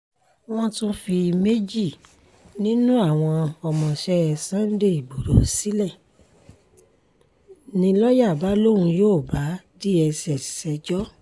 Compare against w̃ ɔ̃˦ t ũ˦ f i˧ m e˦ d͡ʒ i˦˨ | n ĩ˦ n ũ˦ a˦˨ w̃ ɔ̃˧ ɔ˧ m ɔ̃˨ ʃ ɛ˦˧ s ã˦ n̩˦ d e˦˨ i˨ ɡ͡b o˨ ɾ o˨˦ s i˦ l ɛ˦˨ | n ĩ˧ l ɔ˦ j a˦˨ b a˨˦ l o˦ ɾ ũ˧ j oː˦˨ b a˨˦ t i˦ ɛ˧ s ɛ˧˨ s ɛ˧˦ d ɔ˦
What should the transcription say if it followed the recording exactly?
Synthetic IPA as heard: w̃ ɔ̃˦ t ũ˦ f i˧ m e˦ d͡ʒ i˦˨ | n ĩ˦ n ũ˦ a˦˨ w̃ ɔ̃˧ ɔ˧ m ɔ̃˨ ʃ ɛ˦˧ s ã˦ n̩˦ d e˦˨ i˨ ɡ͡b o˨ ɾ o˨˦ s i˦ l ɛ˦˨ | n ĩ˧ l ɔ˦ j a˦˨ b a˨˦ l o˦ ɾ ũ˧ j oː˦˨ b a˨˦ d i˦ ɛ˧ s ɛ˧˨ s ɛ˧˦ d͡ʒ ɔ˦